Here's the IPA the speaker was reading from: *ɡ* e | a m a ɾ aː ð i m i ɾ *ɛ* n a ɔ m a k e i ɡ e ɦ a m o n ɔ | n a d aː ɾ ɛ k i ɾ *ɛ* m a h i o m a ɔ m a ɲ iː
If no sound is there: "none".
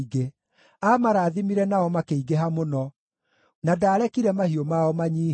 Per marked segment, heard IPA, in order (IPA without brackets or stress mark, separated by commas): ɡ, ɛ, ɛ